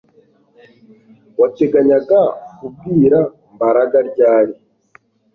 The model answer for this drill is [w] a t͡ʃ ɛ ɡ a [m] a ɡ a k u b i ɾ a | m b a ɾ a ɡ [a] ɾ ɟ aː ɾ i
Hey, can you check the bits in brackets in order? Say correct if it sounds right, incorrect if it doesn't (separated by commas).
correct, incorrect, correct